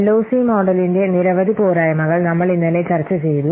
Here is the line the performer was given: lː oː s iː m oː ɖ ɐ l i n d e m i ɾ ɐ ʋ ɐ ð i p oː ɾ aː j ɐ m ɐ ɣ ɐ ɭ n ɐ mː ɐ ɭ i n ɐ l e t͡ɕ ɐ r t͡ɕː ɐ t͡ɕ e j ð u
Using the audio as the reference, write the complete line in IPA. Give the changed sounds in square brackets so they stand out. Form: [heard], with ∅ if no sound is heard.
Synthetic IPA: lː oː s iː m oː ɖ ɐ l i n d e [n] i ɾ ɐ ʋ ɐ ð i p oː ɾ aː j ɐ m ɐ ɣ ɐ ɭ n ɐ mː ɐ ɭ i [nː] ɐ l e t͡ɕ ɐ r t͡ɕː ɐ t͡ɕ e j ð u